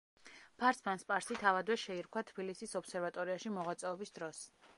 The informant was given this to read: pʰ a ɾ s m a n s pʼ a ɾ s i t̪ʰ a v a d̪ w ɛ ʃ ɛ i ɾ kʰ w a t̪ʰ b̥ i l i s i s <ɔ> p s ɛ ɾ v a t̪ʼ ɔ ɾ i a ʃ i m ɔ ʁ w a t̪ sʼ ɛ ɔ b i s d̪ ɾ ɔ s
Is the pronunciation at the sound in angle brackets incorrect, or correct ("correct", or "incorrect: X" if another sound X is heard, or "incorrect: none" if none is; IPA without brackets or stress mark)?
correct